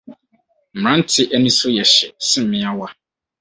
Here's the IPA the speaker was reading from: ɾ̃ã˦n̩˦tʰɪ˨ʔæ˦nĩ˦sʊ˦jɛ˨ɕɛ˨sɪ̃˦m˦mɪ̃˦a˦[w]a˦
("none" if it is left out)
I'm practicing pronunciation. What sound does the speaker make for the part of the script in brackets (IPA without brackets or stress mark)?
w